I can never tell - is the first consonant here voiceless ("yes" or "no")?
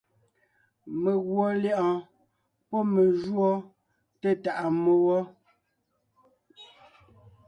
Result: no